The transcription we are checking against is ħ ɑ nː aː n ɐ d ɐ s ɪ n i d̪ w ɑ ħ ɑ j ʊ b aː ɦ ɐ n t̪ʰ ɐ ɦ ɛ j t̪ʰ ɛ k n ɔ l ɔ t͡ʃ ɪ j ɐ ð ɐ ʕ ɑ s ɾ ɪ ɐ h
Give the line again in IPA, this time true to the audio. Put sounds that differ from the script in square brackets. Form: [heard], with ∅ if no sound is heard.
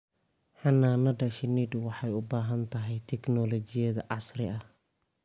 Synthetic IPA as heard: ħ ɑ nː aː n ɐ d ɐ [ʃ] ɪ n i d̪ w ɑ ħ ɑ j ʊ b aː ɦ ɐ n t̪ʰ ɐ ɦ ɛ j t̪ʰ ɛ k n ɔ l ɔ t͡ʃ ɪ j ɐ ð ɐ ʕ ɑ s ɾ ɪ ɐ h